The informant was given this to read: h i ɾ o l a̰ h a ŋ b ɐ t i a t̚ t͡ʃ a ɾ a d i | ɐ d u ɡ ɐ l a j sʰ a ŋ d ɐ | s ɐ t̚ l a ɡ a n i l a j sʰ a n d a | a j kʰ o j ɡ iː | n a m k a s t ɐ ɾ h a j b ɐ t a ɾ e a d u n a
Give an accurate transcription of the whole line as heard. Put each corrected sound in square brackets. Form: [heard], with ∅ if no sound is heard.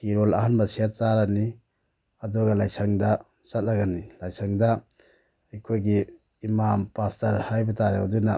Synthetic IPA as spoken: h i ɾ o l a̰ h a [n] b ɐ [s] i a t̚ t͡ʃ a ɾ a [n] i | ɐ d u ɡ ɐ l a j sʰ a ŋ d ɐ | s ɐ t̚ l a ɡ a n i l a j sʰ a [ŋ] d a | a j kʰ o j ɡ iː | [m] a m [p] a s t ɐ ɾ h a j b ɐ t a ɾ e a d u n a